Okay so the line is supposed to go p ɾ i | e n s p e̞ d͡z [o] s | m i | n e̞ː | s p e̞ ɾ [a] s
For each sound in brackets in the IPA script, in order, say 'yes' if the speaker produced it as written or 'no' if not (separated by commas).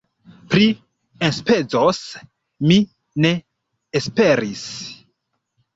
yes, no